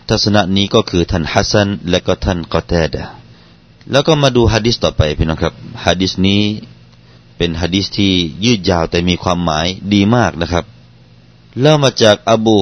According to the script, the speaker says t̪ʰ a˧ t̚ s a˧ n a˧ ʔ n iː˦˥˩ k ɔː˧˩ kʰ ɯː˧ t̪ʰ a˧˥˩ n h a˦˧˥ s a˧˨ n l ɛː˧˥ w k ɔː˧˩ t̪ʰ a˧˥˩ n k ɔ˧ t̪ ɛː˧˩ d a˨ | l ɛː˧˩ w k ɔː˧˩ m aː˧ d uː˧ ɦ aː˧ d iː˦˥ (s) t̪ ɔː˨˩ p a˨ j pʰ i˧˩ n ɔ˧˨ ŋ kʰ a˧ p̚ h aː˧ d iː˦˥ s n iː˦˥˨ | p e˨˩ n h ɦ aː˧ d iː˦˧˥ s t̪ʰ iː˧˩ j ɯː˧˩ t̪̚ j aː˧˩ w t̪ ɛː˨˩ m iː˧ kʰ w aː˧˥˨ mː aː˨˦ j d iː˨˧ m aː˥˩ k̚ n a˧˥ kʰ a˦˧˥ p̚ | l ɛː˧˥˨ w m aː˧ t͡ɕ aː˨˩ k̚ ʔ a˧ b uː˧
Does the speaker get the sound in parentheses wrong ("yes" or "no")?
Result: no